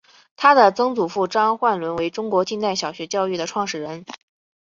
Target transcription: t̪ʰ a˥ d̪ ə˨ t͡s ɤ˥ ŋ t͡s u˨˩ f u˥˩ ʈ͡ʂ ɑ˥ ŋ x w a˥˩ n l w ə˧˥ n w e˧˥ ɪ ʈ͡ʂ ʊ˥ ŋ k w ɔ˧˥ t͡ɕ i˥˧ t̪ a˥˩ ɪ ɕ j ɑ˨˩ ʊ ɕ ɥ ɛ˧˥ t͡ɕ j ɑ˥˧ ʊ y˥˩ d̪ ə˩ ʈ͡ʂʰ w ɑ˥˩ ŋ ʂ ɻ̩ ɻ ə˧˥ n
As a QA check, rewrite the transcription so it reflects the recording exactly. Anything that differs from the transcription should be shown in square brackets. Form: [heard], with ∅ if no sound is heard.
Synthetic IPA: t̪ʰ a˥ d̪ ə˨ t͡s ɤ˥ ŋ t͡s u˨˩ f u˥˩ ʈ͡ʂ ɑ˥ ŋ x w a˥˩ n l w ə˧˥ n w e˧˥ ɪ ʈ͡ʂ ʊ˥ ŋ k w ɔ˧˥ t͡ɕ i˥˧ t̪ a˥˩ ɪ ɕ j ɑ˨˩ ʊ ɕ ɥ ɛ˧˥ t͡ɕ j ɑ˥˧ ʊ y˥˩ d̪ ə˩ ʈ͡ʂʰ w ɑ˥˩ ŋ ʂ ɻ̩ ɻ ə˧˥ n